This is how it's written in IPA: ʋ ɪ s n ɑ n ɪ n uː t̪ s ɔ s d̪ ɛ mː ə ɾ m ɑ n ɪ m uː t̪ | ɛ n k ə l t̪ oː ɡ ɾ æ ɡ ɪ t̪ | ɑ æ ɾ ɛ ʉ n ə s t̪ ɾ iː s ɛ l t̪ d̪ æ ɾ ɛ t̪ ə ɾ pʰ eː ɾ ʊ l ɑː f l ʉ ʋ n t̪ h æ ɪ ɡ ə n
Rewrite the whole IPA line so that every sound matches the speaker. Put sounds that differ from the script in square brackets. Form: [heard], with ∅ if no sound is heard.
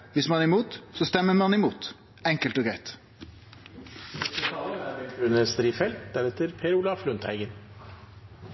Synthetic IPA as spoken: ʋ ɪ s [m] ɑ n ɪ [m] uː t̪ s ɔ s [t̪] ɛ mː ə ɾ m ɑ n ɪ m uː t̪ | ɛ [ŋ] k ə l t̪ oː ɡ ɾ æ [∅] ɪ t̪ | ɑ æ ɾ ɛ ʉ n ə s t̪ ɾ iː [f] ɛ l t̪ d̪ æ ɾ ɛ t̪ ə ɾ pʰ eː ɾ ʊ l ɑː f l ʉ [∅] n t̪ h æ ɪ ɡ ə n

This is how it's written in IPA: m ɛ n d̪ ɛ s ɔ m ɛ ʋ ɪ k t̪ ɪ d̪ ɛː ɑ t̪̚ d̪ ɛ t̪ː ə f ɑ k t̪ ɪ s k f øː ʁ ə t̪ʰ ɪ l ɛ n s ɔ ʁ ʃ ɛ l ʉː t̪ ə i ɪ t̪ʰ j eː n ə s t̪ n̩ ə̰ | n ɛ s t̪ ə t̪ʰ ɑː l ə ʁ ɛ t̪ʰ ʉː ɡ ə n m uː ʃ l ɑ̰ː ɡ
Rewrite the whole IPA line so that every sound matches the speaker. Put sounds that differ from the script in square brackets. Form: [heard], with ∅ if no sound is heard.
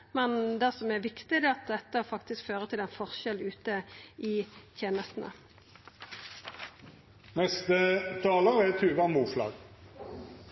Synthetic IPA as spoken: m ɛ n d̪ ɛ s ɔ m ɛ ʋ ɪ k t̪ ɪ d̪ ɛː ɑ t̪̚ d̪ ɛ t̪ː ə f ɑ k t̪ ɪ s k f øː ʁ ə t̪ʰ ɪ l ɛ n [f] ɔ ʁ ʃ ɛ l ʉː t̪ ə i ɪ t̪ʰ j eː n ə s t̪ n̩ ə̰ | n ɛ s t̪ ə t̪ʰ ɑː l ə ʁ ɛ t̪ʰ ʉː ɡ [ɑ] n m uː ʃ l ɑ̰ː ɡ

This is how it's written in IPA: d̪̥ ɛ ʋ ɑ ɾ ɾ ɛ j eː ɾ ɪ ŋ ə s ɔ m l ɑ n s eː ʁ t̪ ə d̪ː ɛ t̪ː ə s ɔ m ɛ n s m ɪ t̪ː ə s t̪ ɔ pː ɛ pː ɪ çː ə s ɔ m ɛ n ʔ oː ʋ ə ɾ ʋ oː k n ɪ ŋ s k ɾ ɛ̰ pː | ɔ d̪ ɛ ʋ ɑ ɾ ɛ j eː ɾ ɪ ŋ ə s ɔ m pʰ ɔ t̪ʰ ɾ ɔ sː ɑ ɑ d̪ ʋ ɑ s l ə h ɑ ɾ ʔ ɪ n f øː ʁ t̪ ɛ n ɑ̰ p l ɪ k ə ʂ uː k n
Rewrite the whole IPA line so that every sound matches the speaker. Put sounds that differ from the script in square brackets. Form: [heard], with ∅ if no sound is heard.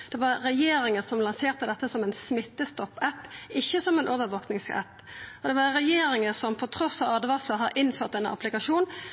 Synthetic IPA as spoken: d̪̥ ɛ ʋ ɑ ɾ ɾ ɛ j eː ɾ ɪ ŋ ə s ɔ m l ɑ n s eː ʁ t̪ ə [d̪] ɛ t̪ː ə s ɔ m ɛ n s m ɪ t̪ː ə s t̪ ɔ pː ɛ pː ɪ çː ə s ɔ m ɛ n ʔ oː ʋ ə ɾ ʋ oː k n ɪ ŋ s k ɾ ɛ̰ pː | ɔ d̪ ɛ ʋ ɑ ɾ ɛ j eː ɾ ɪ ŋ ə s ɔ m pʰ ɔ t̪ʰ ɾ ɔ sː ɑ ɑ d̪ ʋ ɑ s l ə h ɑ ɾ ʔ ɪ n f øː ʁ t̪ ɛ n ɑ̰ p l ɪ k [ɑ] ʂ uː [∅] n

